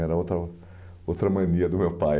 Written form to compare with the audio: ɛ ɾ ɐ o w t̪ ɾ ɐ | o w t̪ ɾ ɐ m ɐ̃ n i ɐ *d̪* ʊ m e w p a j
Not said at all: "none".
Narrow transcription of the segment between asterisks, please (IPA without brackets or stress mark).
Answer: d̪